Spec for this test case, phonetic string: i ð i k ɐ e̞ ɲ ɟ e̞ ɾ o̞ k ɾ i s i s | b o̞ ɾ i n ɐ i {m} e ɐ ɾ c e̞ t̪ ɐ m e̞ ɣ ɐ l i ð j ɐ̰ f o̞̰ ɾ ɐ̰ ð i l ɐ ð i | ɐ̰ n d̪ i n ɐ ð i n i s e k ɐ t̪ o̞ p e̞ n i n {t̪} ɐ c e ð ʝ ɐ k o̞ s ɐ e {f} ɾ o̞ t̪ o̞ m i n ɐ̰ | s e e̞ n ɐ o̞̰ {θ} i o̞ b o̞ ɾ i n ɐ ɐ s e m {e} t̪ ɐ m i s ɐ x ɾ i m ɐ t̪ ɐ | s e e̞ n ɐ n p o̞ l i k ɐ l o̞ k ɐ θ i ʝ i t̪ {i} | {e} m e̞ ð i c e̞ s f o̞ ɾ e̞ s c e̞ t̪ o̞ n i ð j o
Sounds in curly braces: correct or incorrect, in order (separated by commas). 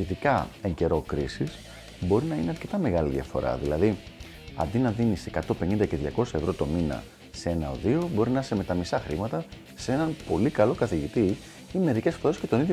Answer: incorrect, incorrect, incorrect, incorrect, correct, correct, incorrect